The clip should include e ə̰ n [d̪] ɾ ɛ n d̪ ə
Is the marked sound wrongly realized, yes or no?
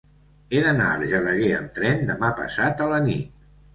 yes